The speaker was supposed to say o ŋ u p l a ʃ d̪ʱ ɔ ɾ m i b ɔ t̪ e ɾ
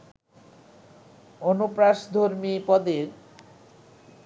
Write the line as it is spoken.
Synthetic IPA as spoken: o n u p ɾ a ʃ d̪ʱ o ɾ m i p ɔ d̪ e ɾ